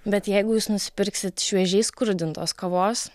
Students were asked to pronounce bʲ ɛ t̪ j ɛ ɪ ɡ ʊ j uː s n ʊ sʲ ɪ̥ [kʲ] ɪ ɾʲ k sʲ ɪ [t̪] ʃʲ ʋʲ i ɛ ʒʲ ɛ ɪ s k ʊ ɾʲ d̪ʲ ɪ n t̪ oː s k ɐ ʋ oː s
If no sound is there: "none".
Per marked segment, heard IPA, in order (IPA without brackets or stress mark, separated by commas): pʲ, t̪